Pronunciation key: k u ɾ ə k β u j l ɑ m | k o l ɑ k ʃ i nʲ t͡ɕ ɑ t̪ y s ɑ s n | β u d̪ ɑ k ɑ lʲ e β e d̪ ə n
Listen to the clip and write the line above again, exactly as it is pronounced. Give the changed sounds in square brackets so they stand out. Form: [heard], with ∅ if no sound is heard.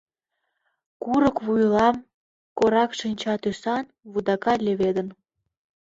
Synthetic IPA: k u ɾ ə k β u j l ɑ m | k o [ɾ] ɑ k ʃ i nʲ t͡ɕ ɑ t̪ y s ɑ [∅] n | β u d̪ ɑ k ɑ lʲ e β e d̪ ə n

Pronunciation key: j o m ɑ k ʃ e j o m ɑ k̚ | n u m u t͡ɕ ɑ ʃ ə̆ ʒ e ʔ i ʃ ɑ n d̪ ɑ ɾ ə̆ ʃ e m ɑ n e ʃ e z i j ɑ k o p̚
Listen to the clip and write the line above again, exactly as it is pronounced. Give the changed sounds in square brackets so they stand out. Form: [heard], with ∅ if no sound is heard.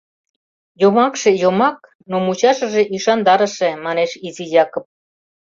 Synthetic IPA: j o m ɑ k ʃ e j o m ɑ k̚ | n [o] m u t͡ɕ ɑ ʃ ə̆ ʒ e ʔ i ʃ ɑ n d̪ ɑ ɾ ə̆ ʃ e m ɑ n e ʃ [i] z i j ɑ k o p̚

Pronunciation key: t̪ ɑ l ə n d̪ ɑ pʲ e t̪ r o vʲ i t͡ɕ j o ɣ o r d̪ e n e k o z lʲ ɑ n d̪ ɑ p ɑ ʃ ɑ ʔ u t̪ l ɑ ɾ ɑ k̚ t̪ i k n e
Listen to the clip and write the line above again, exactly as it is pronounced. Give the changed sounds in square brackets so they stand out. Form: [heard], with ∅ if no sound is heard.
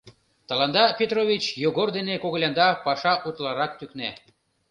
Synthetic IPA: t̪ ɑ l [ɑ] n d̪ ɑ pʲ e t̪ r o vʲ i t͡ɕ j o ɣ o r d̪ e n e k o [ɣ] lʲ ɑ n d̪ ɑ p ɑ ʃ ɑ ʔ u t̪ l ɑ ɾ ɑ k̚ t̪ [y] k n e

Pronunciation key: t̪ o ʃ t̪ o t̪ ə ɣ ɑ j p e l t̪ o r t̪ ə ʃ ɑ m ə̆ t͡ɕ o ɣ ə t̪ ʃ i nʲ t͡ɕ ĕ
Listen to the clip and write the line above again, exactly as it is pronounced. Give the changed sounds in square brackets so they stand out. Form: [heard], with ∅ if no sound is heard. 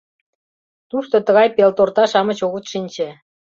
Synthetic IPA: t̪ [u] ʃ t̪ o t̪ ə ɣ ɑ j p e l t̪ o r t̪ [ɑ] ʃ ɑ m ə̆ t͡ɕ o ɣ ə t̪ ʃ i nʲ t͡ɕ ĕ

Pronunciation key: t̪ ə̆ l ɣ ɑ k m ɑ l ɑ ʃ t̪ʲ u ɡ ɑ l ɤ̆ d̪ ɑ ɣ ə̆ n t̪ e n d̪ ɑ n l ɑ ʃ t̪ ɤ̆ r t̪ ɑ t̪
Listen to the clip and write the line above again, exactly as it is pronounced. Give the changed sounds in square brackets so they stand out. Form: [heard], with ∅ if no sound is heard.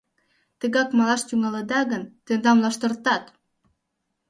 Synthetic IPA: t̪ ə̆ [∅] ɣ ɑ k m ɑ l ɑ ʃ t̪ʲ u [ŋ] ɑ l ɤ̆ d̪ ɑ ɣ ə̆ n t̪ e n d̪ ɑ [m] l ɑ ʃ t̪ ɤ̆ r t̪ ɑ t̪

